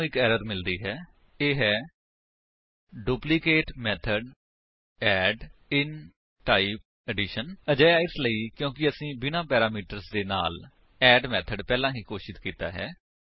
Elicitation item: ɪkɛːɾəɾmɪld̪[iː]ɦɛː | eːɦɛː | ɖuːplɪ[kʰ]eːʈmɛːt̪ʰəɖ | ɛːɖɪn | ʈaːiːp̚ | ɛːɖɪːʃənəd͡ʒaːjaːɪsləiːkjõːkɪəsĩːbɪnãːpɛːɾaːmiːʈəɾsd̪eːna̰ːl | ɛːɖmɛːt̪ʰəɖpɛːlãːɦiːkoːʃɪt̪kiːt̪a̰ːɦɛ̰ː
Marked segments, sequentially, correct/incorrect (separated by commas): correct, incorrect